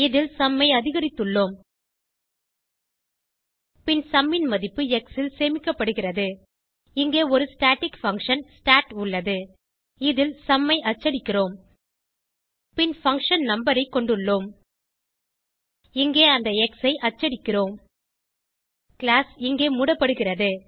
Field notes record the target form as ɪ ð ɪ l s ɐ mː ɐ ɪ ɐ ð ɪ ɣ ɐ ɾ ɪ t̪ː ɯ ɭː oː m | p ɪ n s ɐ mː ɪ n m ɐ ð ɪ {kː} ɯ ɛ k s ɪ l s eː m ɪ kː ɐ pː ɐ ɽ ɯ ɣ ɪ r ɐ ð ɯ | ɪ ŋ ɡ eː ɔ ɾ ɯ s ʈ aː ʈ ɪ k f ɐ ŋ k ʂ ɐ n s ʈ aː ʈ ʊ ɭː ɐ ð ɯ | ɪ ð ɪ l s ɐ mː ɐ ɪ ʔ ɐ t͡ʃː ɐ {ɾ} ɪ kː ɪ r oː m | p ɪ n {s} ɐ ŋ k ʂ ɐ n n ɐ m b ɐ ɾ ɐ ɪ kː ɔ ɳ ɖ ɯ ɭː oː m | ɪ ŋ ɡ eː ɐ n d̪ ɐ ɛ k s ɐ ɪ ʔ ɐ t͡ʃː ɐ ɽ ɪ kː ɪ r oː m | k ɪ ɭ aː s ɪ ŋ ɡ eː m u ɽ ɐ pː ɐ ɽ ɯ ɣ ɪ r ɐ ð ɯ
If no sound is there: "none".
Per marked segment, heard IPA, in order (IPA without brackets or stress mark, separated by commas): pː, ɽ, f